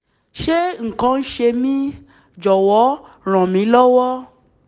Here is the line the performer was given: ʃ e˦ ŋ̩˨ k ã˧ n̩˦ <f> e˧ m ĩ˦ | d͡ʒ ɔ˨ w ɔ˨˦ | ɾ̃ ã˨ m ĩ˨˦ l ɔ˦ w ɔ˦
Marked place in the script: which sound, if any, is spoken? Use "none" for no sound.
ʃ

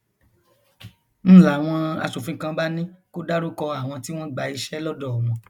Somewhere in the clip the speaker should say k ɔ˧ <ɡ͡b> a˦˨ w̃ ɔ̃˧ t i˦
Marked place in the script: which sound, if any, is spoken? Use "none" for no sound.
none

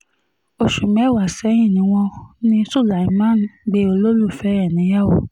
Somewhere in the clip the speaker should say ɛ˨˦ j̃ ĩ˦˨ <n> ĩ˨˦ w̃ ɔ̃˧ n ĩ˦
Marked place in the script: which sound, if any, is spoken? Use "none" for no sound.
n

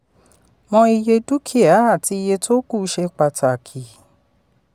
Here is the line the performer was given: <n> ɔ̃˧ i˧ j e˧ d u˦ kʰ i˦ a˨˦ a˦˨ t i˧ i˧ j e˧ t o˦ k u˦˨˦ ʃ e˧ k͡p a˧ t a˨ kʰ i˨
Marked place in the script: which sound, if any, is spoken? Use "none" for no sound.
m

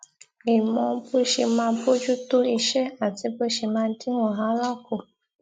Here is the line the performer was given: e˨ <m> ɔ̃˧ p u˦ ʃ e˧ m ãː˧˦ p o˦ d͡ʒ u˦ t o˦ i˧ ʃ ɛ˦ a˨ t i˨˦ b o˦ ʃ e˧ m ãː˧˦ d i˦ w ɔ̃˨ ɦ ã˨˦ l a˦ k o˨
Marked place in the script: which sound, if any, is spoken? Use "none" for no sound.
m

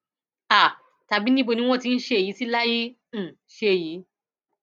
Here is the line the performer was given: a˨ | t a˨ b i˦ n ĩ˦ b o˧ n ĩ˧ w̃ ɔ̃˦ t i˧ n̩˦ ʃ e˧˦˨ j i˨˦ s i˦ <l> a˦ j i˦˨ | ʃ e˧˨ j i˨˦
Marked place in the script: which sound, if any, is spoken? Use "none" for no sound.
l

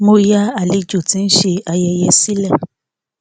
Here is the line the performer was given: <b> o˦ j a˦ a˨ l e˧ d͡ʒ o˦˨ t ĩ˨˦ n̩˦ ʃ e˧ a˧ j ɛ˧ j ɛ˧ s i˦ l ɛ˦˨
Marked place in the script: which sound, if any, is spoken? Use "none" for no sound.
m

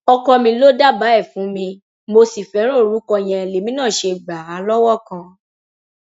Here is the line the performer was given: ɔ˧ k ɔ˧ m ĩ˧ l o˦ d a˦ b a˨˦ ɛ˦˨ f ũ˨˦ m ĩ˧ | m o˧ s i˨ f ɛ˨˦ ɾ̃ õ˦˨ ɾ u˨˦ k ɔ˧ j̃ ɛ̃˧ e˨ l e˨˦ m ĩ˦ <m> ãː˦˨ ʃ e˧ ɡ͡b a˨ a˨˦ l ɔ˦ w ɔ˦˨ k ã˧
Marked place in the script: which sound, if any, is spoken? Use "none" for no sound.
n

